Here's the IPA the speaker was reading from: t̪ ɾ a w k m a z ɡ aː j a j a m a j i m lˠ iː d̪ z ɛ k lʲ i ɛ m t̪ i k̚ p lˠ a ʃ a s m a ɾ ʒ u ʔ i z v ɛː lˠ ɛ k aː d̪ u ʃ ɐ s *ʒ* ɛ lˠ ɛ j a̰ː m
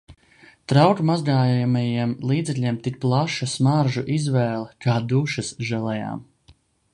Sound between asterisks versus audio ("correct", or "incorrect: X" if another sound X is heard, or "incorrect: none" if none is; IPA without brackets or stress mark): correct